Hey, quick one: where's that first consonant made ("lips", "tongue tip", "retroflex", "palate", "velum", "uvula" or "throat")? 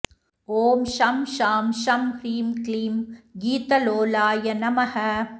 lips